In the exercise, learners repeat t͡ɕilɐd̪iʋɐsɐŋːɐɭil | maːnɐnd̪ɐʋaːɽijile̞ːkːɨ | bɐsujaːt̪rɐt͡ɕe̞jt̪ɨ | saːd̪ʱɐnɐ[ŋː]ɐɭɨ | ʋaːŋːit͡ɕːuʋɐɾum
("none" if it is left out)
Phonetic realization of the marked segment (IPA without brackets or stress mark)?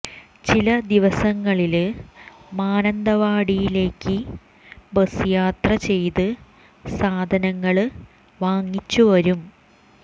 ŋː